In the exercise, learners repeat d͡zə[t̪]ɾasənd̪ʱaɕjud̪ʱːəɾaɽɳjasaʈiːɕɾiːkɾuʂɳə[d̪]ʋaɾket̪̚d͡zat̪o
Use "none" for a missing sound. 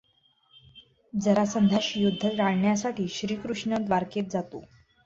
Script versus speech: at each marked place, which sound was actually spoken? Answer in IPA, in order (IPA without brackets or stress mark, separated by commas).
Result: none, d̪